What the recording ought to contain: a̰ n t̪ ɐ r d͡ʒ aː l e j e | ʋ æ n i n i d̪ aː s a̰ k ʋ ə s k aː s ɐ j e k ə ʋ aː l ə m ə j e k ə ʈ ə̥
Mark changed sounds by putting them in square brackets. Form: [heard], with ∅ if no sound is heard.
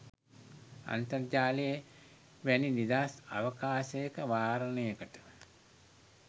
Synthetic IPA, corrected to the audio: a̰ n t̪ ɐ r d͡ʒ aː l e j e | ʋ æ n i n i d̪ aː s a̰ [∅] ʋ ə [∅] k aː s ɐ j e k ə ʋ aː [ɾ] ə [n] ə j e k ə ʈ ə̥